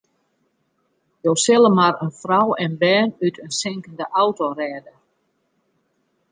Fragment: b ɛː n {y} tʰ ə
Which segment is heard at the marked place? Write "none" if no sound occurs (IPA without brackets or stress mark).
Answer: y